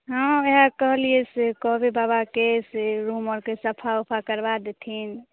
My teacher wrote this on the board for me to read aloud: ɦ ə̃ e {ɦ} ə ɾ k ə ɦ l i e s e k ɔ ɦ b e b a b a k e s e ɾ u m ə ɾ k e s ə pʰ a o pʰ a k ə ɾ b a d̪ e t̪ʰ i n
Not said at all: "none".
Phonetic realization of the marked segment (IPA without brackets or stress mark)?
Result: ɦ